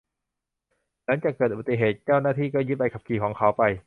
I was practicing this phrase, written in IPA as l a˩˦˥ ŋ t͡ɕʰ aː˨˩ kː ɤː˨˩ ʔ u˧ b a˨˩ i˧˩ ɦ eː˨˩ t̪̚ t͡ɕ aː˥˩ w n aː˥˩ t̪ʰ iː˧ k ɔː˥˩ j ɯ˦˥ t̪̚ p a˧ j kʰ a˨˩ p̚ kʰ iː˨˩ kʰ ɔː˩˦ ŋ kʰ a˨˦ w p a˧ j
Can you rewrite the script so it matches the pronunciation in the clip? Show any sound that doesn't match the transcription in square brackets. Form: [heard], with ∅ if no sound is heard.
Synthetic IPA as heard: l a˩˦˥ ŋ [t͡ɕ] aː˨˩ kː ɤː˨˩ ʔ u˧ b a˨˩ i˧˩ ɦ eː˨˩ t̪̚ t͡ɕ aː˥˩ w n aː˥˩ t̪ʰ [iː˥˩] k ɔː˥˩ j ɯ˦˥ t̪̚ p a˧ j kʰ a˨˩ p̚ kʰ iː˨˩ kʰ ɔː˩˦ ŋ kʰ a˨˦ w p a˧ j